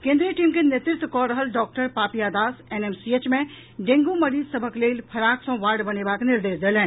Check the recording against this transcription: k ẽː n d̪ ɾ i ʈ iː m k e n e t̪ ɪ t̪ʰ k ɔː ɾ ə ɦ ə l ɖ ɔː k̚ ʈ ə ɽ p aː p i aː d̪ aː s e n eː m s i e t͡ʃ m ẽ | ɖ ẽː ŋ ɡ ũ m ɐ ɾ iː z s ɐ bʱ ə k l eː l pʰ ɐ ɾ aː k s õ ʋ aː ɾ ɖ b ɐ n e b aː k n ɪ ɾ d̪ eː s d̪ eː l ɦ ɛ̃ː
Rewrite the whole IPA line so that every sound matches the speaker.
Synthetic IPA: k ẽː n d̪ ɾ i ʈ iː m k e n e t̪ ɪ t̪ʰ k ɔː ɾ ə ɦ ə l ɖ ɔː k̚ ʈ ə ɾ p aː p i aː d̪ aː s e n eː m s i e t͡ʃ m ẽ | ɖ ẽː ŋ ɡ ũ m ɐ ɾ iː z s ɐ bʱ ə k l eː l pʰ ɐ ɾ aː k s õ ʋ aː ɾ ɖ b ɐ n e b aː k n ɪ ɾ d̪ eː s d̪ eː l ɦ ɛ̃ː